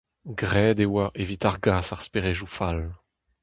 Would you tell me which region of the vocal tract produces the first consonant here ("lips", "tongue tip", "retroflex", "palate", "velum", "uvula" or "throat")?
velum